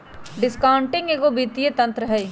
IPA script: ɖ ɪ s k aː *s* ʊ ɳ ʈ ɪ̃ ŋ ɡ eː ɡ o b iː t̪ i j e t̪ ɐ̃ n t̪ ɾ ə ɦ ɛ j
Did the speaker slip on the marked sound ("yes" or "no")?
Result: yes